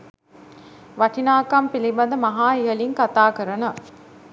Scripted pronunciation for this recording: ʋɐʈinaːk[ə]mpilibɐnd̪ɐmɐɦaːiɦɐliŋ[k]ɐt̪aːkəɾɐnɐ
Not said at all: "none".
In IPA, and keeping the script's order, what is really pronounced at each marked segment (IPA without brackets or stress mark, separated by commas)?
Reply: ɐ, k